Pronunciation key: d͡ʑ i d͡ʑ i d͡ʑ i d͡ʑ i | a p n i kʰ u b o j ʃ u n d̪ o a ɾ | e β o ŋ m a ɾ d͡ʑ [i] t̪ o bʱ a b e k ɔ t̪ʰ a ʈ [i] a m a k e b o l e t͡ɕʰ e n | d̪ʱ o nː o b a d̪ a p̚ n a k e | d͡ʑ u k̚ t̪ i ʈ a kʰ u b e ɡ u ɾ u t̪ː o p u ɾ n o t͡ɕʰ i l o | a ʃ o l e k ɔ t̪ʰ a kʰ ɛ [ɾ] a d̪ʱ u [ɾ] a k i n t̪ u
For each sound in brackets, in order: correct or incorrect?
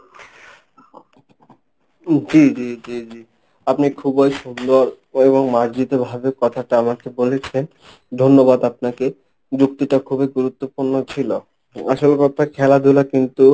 correct, incorrect, incorrect, incorrect

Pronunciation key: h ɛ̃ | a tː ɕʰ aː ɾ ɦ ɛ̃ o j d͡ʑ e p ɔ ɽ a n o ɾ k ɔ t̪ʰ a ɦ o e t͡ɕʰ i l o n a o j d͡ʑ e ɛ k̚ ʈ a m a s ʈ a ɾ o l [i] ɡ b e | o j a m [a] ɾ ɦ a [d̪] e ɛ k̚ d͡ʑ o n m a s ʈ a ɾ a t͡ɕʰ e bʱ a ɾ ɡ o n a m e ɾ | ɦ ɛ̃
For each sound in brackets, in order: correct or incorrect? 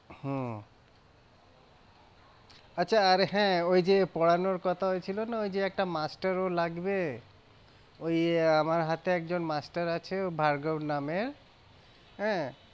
incorrect, correct, incorrect

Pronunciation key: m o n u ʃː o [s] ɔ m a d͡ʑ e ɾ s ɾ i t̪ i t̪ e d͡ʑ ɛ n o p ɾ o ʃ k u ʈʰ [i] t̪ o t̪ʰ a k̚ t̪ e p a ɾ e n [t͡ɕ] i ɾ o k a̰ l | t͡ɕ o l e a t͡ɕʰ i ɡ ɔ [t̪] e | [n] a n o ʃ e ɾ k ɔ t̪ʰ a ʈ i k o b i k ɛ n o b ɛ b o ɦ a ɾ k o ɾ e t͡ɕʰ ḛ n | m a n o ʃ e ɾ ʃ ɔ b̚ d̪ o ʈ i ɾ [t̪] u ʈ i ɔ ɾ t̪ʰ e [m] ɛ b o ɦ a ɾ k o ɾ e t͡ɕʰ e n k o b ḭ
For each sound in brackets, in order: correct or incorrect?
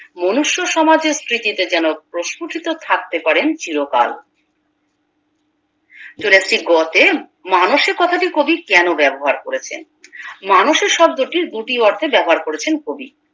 incorrect, correct, correct, correct, incorrect, incorrect, incorrect

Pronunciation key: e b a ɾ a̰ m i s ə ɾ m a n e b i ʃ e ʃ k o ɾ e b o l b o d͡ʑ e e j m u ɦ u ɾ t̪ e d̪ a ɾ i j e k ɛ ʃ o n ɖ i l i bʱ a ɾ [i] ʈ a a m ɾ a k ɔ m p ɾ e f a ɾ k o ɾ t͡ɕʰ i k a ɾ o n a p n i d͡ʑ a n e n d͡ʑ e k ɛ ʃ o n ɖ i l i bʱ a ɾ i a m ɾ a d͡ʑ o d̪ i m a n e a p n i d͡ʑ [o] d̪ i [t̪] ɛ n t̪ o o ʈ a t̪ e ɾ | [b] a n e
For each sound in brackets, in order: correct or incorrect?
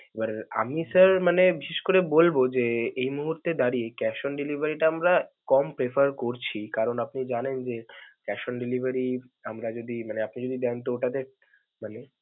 correct, correct, incorrect, incorrect

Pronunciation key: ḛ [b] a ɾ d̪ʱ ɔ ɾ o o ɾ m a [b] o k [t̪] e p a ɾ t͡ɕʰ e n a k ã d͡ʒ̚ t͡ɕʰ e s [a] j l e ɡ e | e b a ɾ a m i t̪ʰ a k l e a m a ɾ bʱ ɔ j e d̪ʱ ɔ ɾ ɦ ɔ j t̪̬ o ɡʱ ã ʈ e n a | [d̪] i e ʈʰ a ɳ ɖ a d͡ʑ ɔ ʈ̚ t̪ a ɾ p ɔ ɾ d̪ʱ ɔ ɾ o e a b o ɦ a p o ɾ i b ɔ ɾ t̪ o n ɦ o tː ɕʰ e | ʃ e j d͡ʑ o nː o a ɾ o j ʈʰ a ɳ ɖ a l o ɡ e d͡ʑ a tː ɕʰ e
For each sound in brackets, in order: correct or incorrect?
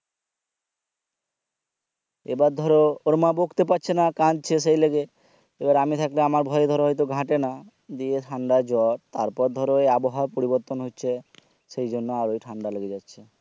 correct, correct, correct, incorrect, correct

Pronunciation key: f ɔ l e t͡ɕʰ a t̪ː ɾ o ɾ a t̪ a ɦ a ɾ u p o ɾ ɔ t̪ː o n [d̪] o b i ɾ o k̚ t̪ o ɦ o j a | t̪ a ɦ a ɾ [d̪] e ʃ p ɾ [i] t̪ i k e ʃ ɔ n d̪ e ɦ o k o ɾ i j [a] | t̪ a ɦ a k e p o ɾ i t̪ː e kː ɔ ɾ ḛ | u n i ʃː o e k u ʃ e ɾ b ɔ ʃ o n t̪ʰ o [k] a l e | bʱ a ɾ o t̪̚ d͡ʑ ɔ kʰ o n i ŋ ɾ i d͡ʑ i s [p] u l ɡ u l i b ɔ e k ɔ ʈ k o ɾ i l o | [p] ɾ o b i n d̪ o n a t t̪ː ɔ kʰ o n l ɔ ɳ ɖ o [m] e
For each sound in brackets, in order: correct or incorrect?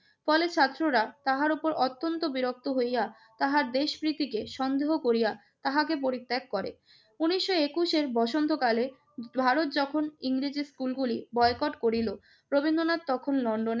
incorrect, correct, correct, correct, correct, incorrect, correct, incorrect

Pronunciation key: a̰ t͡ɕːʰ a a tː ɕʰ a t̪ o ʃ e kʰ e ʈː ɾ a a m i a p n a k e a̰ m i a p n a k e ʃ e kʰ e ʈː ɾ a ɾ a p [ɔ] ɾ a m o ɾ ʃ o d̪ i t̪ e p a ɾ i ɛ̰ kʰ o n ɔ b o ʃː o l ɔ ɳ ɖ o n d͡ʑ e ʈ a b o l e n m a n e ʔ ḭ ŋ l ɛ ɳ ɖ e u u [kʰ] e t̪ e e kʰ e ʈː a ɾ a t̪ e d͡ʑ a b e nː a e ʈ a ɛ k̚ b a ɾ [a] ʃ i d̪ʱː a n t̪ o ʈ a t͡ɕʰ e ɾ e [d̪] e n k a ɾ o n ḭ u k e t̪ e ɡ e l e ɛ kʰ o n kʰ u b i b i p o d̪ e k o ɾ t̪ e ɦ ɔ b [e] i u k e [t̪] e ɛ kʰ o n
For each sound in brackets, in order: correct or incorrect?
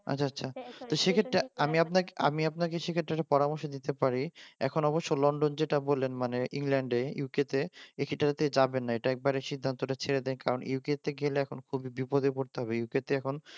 correct, incorrect, incorrect, correct, correct, correct

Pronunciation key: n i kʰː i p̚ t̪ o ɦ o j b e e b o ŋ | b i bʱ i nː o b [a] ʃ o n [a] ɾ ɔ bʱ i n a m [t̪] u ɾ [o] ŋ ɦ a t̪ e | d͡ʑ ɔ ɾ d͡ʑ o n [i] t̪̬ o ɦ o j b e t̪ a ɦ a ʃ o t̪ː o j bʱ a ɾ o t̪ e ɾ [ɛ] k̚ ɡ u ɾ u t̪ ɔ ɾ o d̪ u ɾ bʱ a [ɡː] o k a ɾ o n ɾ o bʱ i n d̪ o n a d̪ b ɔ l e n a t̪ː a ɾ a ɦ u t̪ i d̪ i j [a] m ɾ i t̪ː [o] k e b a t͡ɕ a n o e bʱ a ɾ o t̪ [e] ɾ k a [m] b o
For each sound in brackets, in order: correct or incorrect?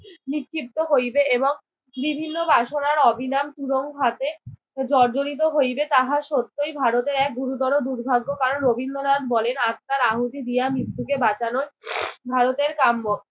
correct, correct, correct, correct, correct, correct, correct, correct, incorrect, correct, correct

